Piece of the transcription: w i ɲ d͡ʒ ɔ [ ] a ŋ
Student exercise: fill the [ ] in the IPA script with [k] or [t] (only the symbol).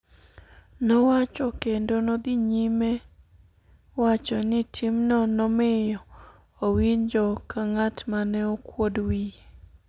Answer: k